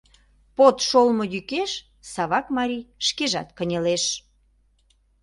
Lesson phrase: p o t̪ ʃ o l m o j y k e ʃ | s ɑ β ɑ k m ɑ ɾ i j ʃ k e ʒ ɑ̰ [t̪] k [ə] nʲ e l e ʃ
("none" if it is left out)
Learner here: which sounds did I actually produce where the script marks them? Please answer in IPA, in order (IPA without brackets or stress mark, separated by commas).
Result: t̪, ə